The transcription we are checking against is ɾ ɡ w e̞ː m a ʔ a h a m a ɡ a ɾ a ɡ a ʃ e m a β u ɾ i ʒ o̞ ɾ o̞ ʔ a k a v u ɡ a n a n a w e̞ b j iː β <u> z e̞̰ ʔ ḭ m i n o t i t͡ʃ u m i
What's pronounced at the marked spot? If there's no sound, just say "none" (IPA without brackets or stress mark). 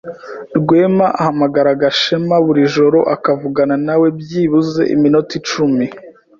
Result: u